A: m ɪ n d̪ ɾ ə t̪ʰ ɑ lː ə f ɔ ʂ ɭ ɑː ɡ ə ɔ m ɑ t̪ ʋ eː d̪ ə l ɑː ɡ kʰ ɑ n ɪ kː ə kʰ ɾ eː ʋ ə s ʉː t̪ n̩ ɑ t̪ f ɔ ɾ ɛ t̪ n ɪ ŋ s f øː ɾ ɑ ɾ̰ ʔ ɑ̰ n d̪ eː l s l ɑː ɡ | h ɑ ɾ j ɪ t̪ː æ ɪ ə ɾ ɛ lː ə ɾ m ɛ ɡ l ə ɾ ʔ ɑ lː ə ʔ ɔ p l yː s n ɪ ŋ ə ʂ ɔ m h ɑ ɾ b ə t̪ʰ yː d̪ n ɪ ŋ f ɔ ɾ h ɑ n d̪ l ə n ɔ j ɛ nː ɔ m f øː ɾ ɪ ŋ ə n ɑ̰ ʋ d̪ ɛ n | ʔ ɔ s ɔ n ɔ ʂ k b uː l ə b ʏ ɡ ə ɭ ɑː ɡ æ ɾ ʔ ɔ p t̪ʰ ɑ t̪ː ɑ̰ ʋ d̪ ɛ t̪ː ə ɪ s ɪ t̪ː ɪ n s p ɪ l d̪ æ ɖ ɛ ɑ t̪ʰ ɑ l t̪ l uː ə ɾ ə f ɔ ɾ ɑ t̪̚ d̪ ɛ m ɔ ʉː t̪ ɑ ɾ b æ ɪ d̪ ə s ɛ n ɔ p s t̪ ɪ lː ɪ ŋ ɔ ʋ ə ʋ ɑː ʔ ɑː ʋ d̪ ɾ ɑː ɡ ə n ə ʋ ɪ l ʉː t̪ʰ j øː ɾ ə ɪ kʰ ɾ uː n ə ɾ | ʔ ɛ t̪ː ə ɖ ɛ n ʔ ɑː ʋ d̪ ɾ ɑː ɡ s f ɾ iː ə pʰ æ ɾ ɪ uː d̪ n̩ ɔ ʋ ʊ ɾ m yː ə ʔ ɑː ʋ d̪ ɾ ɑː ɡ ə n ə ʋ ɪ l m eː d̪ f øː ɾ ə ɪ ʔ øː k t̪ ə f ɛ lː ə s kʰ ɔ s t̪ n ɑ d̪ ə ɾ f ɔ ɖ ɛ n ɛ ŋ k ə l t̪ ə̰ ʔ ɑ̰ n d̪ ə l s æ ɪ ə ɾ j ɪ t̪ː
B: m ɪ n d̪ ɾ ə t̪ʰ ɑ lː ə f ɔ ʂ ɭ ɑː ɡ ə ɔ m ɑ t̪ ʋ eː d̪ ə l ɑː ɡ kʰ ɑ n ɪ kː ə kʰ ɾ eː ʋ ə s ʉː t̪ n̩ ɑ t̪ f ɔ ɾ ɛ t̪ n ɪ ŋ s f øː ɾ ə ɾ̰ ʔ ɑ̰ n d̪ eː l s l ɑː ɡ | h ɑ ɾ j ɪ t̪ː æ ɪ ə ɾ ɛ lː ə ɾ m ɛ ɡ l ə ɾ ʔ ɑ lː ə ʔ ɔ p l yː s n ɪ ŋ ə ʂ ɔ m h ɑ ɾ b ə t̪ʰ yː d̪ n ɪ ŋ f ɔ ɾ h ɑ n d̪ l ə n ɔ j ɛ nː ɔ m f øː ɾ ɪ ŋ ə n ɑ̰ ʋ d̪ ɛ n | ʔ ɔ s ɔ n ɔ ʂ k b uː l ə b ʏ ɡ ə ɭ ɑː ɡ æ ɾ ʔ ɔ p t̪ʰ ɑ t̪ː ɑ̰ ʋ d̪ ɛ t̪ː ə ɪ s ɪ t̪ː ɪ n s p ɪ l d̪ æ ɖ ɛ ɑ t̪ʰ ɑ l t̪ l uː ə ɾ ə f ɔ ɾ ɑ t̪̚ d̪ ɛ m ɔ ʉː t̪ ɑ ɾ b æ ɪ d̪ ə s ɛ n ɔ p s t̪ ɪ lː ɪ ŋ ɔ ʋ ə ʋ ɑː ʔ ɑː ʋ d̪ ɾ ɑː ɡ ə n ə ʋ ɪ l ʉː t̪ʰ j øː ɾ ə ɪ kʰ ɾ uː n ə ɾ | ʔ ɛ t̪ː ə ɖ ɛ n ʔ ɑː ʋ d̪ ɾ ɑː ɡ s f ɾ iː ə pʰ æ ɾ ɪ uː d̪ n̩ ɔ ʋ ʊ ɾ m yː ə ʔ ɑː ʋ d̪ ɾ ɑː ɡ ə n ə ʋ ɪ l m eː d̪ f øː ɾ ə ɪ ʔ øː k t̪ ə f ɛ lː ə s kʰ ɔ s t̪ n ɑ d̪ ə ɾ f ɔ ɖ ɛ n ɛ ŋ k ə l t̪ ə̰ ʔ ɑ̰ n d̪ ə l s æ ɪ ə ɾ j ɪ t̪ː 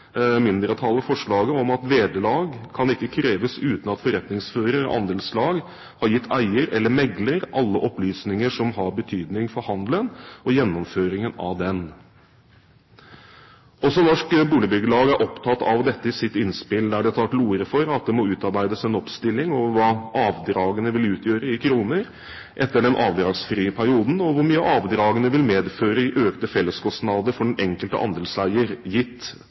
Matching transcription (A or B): B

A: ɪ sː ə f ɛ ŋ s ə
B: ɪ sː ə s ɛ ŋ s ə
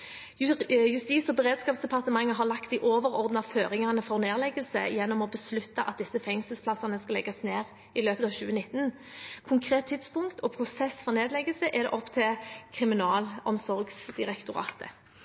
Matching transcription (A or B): A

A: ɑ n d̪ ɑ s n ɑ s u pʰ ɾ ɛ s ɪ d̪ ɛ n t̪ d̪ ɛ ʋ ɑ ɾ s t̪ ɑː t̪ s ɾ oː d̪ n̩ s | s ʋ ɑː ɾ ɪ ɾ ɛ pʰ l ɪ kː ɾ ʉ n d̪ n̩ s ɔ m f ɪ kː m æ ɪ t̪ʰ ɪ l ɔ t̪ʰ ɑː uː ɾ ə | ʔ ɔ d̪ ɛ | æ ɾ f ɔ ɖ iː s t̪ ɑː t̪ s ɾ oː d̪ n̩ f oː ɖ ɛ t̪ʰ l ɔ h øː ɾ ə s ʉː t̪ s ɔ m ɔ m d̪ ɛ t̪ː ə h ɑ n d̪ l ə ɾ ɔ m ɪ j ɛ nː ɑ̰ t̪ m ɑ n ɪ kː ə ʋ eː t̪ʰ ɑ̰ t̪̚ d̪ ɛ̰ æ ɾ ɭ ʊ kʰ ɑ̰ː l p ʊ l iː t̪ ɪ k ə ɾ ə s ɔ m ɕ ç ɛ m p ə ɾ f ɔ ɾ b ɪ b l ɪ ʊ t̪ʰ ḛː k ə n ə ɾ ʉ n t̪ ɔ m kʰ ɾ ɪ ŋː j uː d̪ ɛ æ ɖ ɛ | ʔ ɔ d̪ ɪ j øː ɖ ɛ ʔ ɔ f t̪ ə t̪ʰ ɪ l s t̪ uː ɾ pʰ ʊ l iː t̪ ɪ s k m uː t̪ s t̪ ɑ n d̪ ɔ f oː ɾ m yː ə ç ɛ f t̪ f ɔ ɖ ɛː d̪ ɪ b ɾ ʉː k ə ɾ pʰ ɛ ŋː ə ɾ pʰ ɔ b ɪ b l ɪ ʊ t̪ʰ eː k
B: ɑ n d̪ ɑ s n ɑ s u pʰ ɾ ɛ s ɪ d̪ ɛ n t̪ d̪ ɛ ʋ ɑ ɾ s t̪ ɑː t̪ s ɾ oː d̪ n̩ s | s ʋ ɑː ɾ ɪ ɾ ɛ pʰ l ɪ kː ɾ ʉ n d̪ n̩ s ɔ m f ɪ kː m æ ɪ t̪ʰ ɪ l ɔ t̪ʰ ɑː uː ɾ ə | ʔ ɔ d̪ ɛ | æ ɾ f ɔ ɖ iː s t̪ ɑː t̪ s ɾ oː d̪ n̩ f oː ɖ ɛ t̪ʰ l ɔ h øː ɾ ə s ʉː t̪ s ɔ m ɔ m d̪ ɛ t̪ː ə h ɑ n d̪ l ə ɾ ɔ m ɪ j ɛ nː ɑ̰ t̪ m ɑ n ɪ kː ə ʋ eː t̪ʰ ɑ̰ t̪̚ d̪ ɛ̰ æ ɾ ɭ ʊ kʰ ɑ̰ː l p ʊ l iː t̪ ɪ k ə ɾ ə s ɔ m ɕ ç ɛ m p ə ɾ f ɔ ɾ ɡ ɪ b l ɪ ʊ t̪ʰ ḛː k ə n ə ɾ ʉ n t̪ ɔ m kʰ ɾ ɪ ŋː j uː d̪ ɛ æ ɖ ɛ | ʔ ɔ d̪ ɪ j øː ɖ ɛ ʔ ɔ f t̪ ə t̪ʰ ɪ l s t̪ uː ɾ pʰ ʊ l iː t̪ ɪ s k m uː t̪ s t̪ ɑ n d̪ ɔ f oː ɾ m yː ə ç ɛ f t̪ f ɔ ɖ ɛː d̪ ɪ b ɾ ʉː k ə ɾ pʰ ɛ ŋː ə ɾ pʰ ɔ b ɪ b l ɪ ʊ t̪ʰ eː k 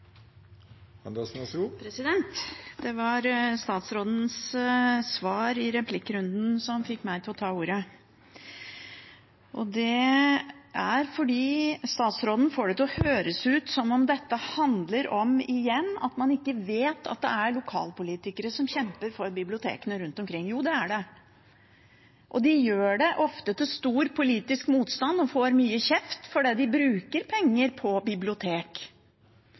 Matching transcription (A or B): A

